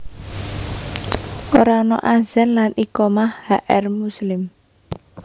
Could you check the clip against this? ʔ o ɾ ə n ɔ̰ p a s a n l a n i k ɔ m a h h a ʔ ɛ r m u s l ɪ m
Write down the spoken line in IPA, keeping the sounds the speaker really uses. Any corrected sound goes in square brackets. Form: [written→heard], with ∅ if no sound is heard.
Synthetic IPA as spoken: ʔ o ɾ [ə→a] n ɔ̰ [p→ʔ] a [s→z] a n l a n i k ɔ m a h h a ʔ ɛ r m u s l ɪ m